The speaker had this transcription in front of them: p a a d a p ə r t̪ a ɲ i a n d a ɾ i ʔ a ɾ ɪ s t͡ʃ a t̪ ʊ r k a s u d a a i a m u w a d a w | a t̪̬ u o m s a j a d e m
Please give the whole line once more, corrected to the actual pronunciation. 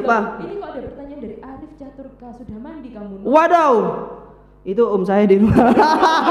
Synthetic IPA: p a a d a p ə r t̪ a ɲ a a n d a ɾ i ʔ a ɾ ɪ f t͡ʃ a t̪ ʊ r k a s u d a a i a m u w a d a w | i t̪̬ u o m s a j a d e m